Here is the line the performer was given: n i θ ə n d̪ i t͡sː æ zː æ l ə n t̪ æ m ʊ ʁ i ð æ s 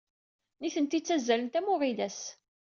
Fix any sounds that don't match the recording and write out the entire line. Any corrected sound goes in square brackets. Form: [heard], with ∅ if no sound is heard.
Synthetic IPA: n i θ ə n [t̪] i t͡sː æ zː æ l ə n t̪ æ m ʊ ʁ i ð æ s